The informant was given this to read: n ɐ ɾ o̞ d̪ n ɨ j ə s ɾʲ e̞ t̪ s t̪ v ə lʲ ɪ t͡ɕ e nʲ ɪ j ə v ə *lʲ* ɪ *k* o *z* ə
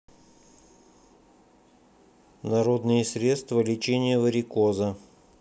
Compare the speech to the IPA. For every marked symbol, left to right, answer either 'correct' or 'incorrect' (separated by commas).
incorrect, correct, correct